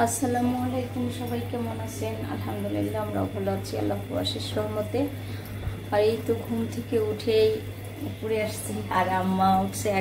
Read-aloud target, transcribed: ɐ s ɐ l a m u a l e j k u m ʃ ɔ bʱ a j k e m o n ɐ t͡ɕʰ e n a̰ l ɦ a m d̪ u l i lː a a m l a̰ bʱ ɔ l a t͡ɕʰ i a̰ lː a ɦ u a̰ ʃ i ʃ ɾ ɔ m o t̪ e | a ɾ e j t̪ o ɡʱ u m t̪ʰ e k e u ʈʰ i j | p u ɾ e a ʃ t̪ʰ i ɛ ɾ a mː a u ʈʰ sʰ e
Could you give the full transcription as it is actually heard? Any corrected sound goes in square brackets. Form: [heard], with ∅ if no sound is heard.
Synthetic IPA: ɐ s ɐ l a m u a l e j k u m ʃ ɔ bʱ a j k e m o n [a] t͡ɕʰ e n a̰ l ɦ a m d̪ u l i lː a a m [ɾ] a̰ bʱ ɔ l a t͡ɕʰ i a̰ lː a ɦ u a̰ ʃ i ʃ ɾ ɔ m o t̪ e | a ɾ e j t̪ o ɡʱ u m t̪ʰ e k e u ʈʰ [e] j | p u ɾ e a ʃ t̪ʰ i [a] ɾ a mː a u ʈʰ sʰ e